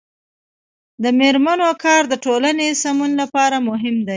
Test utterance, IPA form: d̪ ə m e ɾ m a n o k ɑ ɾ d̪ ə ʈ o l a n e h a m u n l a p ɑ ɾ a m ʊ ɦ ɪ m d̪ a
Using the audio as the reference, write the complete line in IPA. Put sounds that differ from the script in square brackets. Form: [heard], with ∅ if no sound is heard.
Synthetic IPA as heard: d̪ ə m e ɾ m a n o k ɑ ɾ d̪ ə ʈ o l a n e [s] a m u n l a p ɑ ɾ a m ʊ ɦ ɪ m d̪ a